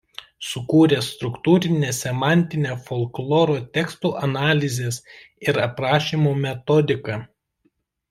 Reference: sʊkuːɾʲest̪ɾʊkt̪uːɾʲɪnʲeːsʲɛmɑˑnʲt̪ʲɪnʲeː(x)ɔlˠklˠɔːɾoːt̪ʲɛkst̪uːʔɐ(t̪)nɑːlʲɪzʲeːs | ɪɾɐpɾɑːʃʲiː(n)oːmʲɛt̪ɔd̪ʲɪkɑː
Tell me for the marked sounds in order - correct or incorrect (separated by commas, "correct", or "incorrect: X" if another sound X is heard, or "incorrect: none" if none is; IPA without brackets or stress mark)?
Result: incorrect: f, incorrect: none, incorrect: m